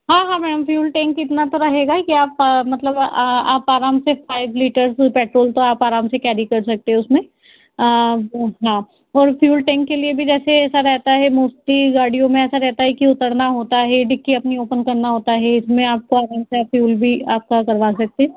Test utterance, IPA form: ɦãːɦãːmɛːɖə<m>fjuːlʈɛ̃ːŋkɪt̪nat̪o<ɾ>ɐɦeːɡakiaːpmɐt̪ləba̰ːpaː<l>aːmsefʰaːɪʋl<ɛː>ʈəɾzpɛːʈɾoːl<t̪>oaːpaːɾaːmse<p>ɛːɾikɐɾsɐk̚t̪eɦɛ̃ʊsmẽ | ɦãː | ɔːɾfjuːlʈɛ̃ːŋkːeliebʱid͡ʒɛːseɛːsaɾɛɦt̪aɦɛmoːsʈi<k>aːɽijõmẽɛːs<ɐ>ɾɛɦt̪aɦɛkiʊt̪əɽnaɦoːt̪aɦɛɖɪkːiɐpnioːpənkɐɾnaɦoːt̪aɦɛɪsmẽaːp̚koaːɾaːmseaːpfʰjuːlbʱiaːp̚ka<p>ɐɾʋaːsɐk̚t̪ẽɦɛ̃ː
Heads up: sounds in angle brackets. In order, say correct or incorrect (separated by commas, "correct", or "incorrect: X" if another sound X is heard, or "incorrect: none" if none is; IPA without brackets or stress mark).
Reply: correct, correct, incorrect: ɾ, incorrect: iː, correct, incorrect: k, incorrect: ɡ, incorrect: a, incorrect: k